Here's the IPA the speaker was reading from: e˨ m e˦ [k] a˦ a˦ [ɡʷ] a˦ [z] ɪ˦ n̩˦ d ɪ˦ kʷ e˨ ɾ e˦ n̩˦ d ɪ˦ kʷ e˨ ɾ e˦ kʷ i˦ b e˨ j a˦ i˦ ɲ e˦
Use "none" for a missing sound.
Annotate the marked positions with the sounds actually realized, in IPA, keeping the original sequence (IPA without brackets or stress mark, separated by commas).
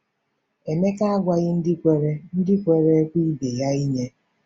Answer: k, ɡʷ, ɣ